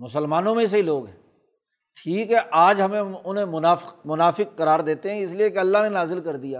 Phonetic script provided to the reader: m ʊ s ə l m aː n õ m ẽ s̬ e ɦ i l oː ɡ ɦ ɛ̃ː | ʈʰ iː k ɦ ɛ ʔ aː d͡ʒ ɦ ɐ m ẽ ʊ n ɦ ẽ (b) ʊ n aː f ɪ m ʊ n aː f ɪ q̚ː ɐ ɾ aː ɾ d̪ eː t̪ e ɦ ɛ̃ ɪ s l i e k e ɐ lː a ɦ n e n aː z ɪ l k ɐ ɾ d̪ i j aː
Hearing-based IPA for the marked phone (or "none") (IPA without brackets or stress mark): m